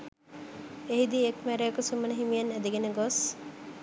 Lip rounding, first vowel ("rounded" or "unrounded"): unrounded